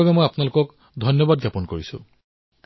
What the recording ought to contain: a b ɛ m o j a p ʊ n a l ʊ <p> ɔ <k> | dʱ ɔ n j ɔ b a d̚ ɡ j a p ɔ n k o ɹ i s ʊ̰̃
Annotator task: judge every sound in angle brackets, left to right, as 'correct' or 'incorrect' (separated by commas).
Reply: incorrect, correct